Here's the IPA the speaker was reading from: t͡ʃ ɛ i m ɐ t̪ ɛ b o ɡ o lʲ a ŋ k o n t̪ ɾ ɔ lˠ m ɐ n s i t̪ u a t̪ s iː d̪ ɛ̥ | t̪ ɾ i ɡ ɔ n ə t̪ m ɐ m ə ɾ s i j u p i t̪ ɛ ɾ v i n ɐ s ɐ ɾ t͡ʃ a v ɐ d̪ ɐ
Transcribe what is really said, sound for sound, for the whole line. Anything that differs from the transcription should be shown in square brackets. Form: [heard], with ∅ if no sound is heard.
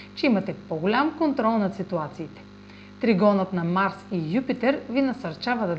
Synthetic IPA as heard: t͡ʃ ɛ i m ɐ t̪ ɛ [p] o ɡ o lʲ a [m] k o n t̪ ɾ ɔ lˠ [n] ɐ [∅] s i t̪ u a t̪ s iː [t̪] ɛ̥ | t̪ ɾ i ɡ ɔ n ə t̪ [n] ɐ m [a] ɾ s i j u p i t̪ ɛ ɾ v i n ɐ s ɐ ɾ t͡ʃ a v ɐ d̪ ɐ